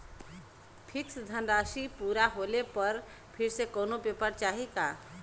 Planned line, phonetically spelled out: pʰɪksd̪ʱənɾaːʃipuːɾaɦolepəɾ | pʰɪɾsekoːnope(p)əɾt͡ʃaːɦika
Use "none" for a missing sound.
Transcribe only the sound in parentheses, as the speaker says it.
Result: p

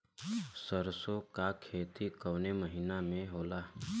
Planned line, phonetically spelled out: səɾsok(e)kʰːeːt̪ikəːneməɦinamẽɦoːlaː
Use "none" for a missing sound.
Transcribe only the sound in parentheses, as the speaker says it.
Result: a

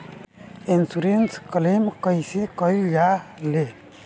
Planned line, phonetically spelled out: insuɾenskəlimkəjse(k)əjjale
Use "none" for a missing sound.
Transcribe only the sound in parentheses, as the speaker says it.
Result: k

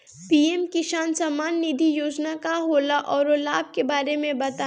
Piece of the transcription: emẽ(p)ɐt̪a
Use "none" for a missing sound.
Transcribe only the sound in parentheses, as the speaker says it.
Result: b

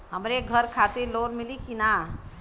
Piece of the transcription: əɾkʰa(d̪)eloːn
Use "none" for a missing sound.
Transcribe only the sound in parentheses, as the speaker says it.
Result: t̪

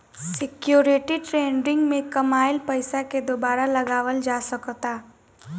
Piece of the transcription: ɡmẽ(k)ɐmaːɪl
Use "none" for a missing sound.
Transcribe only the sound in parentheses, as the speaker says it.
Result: k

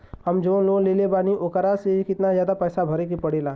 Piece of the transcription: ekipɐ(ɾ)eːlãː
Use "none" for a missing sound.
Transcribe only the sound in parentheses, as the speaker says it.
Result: ɽ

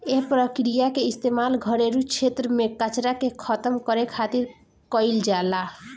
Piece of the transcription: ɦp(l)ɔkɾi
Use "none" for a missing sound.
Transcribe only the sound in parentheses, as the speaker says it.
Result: ɾ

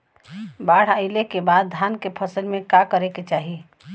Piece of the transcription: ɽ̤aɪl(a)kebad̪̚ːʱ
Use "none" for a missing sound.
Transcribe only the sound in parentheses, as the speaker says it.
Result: e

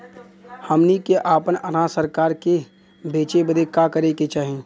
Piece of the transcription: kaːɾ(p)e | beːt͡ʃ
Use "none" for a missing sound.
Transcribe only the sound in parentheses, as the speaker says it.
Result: k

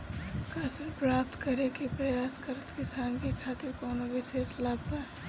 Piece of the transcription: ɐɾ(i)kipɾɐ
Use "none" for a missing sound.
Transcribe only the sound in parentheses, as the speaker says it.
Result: e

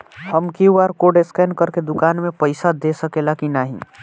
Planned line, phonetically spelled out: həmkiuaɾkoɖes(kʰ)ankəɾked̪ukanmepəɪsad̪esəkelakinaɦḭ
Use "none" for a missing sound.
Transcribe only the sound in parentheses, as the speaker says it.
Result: k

